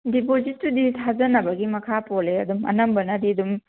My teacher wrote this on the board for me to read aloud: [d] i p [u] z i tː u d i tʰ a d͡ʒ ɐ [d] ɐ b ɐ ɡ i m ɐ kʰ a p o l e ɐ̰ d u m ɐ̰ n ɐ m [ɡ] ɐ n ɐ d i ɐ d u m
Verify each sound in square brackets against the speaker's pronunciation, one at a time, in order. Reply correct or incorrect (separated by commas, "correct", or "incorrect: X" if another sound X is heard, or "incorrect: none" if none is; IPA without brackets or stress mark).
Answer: correct, incorrect: o, incorrect: n, incorrect: b